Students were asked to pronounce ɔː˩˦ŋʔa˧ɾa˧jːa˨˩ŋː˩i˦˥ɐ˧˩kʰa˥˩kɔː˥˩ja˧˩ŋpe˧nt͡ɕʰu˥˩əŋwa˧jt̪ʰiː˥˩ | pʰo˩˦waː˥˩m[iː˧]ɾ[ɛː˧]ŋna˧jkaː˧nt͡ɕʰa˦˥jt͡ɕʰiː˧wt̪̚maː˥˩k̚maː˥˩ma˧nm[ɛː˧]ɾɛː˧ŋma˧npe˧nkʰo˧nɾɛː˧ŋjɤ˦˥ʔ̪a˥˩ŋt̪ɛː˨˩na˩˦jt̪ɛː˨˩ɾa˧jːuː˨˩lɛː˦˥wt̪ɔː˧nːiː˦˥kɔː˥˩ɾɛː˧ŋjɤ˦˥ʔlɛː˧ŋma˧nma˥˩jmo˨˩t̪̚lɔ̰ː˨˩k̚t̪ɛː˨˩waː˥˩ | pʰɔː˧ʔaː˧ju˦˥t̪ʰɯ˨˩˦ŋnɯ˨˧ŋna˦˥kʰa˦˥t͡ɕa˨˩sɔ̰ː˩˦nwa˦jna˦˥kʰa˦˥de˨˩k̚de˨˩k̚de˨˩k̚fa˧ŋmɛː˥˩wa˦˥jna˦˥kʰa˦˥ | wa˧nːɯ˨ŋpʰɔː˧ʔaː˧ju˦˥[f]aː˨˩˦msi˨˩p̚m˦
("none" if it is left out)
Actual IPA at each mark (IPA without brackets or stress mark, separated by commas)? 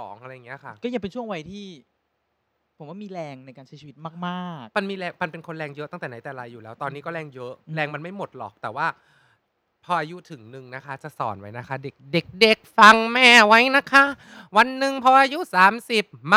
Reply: iː˧, ɛː˧, iː˧, s